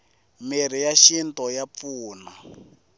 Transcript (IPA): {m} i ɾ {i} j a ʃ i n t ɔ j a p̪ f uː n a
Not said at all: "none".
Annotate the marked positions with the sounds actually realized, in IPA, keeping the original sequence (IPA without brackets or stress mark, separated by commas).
m, i